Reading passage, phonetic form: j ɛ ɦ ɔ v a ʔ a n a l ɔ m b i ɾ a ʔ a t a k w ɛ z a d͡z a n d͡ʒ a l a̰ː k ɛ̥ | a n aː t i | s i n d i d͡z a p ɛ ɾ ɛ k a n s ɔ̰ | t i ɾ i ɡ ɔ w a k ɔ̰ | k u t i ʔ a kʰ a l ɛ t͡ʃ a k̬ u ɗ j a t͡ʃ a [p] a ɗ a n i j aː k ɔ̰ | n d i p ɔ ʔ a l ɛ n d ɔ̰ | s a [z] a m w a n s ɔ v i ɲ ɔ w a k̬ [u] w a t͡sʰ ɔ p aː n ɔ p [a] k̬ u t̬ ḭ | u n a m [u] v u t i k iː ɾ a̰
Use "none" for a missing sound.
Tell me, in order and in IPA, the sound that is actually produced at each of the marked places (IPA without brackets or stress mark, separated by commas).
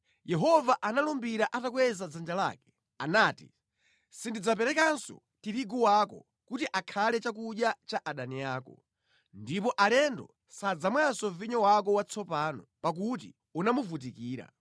ʔ, d͡z, ɔ, a, u